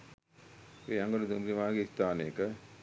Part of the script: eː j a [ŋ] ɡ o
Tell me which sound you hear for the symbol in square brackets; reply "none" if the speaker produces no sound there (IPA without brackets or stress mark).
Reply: ŋ